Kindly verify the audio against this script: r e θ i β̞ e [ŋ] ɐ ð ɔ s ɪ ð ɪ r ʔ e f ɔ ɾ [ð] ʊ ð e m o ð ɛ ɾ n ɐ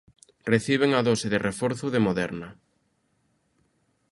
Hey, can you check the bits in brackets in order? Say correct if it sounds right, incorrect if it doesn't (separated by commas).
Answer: correct, incorrect